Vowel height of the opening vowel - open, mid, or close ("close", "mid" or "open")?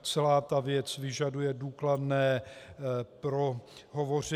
mid